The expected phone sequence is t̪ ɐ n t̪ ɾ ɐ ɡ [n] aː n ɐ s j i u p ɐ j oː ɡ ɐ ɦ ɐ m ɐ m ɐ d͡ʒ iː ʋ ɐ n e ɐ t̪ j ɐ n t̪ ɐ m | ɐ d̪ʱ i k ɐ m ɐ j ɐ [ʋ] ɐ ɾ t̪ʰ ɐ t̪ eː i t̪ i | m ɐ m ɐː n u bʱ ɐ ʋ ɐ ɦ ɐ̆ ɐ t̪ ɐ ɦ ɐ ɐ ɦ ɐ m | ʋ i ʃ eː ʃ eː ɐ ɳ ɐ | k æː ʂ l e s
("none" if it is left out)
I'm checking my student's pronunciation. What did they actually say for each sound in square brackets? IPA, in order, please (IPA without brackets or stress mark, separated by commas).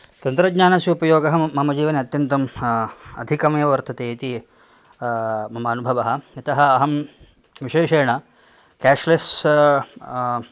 ɲ, ʋ